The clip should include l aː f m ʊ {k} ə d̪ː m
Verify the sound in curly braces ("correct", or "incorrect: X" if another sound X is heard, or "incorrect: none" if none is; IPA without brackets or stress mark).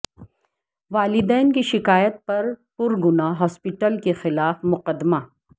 incorrect: q